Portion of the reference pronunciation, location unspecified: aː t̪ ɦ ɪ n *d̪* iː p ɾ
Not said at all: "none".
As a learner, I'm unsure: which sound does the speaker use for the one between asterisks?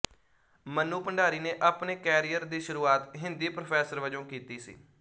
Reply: d̪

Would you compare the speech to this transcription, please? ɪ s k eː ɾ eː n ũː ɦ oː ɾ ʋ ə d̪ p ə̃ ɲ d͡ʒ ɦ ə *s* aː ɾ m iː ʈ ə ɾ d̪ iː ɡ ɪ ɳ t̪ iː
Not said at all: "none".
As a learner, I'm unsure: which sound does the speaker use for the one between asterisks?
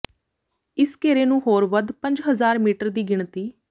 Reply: z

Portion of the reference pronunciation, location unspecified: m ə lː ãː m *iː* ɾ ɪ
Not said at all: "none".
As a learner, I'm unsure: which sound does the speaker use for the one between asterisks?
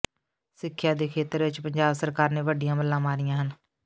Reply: aː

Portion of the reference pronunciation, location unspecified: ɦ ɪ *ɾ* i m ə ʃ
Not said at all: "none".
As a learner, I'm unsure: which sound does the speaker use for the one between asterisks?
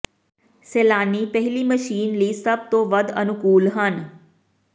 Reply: l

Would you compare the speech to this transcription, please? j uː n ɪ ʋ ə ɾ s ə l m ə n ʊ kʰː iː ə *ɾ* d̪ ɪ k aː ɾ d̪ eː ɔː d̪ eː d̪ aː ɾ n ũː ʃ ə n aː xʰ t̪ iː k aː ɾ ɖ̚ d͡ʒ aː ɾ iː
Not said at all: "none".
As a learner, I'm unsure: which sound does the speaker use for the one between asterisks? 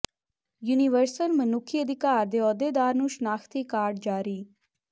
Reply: none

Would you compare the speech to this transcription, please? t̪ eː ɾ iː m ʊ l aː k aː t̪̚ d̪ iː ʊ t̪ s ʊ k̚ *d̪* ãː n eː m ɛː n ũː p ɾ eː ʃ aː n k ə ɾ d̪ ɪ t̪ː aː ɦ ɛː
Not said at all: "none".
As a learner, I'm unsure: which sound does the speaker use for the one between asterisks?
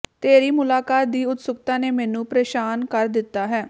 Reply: t̪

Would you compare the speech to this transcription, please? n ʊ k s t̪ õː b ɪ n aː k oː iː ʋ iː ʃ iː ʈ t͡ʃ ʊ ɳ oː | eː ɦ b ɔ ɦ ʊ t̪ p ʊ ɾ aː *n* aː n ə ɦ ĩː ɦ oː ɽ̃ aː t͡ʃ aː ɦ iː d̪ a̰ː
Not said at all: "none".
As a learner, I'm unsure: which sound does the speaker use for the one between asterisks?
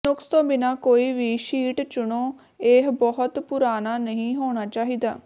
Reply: n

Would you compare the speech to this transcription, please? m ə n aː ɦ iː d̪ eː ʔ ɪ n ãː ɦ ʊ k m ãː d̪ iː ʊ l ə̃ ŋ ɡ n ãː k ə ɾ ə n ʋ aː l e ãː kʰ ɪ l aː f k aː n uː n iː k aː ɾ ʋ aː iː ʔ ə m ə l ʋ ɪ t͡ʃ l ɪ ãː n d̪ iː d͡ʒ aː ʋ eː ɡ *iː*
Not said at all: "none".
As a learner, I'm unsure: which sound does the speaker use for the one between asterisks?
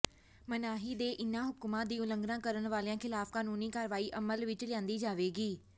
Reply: iː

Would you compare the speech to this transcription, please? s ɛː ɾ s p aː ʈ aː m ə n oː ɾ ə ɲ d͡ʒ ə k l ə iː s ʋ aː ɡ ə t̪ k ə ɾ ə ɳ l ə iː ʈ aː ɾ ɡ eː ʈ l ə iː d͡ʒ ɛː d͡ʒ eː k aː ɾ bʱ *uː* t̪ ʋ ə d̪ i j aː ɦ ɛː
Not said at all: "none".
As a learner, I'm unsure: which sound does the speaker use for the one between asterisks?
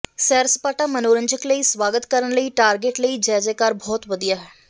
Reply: ɔː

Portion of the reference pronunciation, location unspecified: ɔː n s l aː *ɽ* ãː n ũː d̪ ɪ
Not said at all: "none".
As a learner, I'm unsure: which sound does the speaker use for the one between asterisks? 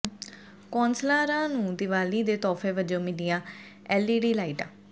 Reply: ɾ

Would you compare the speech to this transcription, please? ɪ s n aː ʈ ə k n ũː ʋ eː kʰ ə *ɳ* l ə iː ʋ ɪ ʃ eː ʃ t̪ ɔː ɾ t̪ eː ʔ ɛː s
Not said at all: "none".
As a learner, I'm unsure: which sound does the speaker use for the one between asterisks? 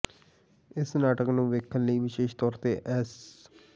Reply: n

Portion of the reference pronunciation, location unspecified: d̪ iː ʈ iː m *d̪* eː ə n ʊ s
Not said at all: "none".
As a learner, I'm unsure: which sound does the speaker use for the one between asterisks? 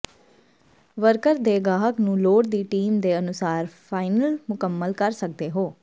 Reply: d̪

